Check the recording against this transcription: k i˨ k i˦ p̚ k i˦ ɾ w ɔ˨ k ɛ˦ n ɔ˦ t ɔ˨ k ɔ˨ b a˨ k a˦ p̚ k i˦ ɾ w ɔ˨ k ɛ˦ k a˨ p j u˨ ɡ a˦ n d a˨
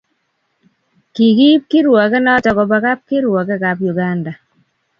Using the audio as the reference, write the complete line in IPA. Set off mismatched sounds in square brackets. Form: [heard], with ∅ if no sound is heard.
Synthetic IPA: k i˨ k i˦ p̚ k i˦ ɾ w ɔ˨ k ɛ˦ n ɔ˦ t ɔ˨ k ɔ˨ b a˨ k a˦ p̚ k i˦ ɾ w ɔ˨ k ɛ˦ k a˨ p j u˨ ɡ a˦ n d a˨